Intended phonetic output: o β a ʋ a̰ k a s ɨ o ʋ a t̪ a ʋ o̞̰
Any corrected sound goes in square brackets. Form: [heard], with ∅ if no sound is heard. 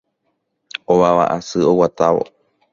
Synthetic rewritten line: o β a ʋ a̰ [ʔ] a s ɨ o [w] a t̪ a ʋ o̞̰